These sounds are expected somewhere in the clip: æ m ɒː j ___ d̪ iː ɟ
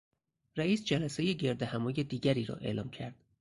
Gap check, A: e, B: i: A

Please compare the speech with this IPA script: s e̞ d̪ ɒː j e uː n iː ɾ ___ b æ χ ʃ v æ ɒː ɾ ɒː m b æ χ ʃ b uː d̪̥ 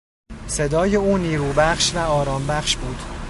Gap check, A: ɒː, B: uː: B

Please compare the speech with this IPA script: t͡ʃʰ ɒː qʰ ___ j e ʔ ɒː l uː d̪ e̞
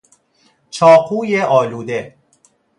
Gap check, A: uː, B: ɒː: A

